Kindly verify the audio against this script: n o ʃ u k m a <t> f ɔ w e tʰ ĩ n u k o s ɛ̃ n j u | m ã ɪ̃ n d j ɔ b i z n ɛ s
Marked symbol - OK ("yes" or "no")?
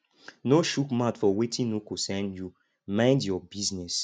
yes